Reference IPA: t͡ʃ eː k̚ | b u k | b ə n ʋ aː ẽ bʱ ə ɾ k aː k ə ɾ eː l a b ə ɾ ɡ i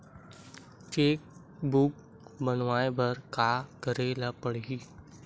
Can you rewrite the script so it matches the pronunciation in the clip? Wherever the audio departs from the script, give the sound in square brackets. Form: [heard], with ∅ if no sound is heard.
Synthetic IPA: t͡ʃ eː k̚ | b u k | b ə n ʋ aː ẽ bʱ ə ɾ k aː k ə ɾ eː l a [p] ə [ɽ] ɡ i